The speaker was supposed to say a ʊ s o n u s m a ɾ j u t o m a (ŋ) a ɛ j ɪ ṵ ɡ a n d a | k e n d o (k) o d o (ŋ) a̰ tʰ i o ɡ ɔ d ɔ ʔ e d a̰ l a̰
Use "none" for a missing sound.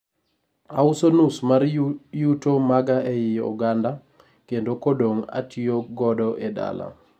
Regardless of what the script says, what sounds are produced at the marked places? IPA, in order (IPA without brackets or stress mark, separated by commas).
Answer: ɡ, k, ŋ